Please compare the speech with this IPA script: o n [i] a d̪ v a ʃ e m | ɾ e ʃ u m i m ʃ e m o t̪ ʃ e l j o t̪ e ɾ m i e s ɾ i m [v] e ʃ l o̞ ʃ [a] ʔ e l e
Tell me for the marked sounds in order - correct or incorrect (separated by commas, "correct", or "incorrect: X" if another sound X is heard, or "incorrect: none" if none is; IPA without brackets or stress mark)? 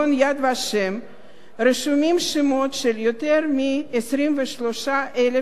incorrect: j, correct, correct